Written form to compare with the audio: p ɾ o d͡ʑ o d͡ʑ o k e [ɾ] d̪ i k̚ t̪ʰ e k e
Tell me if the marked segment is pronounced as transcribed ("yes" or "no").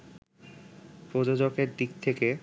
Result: yes